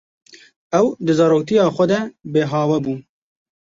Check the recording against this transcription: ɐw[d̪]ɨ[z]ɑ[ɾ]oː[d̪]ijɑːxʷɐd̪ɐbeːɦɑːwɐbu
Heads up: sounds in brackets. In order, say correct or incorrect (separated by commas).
correct, correct, correct, incorrect